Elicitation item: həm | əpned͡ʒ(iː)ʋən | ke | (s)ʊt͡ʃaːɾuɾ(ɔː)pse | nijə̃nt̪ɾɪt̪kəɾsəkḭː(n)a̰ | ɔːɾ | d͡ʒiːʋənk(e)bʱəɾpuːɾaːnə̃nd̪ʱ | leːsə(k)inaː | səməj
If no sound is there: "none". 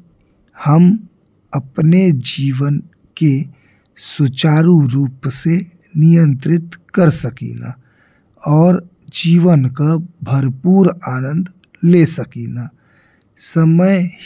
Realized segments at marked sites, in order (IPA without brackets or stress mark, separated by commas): iː, s, uː, n, a, k